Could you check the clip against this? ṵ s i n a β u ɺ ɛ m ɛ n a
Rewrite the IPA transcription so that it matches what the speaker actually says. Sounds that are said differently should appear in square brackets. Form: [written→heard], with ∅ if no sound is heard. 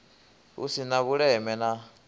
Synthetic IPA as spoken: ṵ s i n a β u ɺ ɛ m ɛ n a